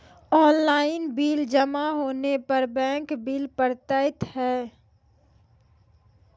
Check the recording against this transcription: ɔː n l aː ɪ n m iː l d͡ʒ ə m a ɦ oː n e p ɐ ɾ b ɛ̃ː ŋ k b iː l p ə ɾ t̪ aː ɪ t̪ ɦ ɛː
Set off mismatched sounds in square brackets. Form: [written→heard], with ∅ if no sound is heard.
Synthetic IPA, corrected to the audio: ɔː n l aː ɪ n [m→b] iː l d͡ʒ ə m a ɦ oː n e p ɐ ɾ b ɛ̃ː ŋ k b iː l p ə ɾ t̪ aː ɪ t̪ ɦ ɛː